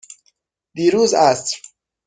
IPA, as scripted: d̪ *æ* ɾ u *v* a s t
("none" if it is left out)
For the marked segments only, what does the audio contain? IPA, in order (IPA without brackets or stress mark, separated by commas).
i, z